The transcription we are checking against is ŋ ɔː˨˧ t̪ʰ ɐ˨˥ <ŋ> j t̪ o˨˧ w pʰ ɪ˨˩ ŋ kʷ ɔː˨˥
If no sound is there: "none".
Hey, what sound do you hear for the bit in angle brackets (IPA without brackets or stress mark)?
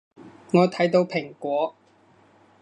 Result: none